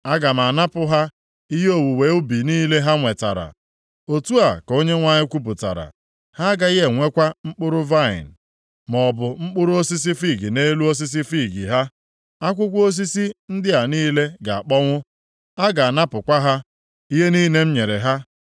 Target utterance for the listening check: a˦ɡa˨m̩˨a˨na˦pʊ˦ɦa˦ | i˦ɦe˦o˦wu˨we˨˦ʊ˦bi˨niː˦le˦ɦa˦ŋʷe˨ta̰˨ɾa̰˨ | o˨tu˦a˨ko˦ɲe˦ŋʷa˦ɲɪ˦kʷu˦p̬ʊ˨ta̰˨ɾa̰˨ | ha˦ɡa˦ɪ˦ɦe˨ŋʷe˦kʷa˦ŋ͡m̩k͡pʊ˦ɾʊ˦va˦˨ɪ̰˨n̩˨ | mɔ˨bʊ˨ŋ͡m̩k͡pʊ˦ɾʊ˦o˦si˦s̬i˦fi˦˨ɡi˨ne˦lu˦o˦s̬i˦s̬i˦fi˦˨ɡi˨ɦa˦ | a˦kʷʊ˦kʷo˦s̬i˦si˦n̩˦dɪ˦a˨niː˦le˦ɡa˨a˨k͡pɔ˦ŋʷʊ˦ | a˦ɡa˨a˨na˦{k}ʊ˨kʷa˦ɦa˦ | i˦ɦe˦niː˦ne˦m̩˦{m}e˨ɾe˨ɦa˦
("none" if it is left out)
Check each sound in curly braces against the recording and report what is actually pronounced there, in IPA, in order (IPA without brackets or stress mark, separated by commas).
p, ɲ